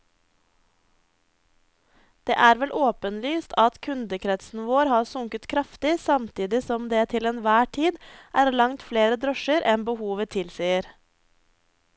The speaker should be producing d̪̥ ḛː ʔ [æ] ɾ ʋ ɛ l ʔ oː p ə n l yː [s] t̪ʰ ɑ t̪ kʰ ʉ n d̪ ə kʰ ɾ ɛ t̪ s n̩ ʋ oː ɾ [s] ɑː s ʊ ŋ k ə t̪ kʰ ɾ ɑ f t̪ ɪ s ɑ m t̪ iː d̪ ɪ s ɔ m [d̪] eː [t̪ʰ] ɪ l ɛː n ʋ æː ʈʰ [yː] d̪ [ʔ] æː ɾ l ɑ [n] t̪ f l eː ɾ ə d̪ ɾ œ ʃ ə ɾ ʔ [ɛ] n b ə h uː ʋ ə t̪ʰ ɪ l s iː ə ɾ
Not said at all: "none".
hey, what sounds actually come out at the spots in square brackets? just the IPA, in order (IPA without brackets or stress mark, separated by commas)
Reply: æː, s, h, d̪, t̪ʰ, iː, ʔ, ŋ, ɛ